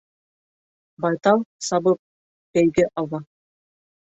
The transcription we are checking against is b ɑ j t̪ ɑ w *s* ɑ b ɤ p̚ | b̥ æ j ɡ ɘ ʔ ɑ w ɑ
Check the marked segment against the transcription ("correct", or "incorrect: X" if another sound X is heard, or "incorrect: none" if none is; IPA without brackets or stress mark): correct